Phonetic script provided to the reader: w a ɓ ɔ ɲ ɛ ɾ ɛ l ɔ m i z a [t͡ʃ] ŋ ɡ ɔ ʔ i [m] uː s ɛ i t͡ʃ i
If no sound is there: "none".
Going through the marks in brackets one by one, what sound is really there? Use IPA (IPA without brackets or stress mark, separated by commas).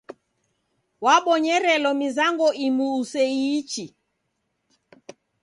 none, m